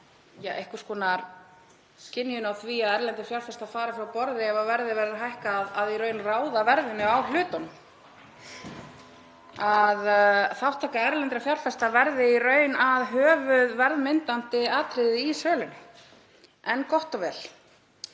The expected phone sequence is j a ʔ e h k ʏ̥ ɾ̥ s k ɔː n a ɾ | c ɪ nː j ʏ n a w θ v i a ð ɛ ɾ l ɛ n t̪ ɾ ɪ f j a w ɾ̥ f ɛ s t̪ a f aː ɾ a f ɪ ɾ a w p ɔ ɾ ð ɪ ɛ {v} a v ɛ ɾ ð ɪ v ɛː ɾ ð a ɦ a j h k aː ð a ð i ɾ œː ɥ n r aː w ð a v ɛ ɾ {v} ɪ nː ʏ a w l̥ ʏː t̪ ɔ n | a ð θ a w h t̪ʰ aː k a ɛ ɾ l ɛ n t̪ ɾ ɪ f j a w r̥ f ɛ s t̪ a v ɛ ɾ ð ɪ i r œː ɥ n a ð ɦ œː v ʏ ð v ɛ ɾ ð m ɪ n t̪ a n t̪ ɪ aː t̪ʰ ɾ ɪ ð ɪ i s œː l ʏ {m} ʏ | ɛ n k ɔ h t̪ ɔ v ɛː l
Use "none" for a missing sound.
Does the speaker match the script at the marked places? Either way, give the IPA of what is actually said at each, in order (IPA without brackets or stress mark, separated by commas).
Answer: v, ð, n